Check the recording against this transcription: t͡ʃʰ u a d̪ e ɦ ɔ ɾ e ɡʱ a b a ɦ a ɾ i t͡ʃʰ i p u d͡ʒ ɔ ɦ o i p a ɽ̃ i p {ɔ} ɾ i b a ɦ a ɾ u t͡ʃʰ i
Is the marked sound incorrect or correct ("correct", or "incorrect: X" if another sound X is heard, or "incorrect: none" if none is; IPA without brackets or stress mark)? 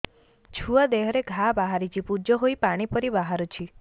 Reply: correct